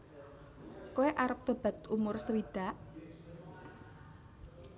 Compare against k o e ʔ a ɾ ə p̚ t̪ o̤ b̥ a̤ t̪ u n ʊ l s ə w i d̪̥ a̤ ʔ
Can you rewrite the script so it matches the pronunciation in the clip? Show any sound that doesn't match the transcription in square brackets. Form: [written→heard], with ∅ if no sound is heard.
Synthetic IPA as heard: k o e ʔ a ɾ ə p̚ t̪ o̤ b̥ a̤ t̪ u [n→m] ʊ [l→r] s ə w i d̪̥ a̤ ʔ

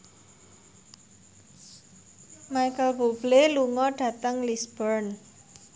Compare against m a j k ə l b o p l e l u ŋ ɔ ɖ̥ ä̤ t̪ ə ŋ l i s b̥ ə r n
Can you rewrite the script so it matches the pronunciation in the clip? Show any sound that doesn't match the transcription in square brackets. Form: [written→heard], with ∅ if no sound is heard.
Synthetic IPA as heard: m a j k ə l b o [p→b] l e l u ŋ ɔ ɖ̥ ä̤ t̪ ə ŋ l i s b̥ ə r n

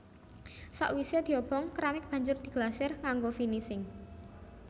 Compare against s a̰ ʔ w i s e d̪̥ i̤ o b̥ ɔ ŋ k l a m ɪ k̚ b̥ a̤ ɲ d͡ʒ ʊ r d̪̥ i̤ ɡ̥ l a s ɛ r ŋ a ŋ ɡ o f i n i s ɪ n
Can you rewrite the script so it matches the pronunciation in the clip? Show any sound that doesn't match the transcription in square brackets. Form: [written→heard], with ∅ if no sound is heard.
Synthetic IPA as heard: s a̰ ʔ w i s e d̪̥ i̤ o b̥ ɔ ŋ k [l→ɾ] a m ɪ k̚ b̥ a̤ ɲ d͡ʒ ʊ r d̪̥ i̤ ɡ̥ l a s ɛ r ŋ a ŋ ɡ o f i n i s ɪ [n→ŋ]

